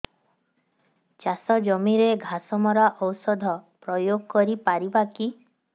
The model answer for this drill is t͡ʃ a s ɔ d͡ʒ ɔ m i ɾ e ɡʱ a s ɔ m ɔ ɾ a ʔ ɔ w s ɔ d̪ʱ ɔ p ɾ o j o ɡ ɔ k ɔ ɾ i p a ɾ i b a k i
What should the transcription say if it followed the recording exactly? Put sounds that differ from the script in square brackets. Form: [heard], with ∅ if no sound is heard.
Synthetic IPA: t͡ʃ a s ɔ d͡ʒ ɔ m i ɾ e ɡʱ a s ɔ m ɔ ɾ a ʔ ɔ w s ɔ d̪ʱ ɔ p ɾ [ɔ] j o ɡ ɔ k ɔ ɾ i p a ɾ i b a k i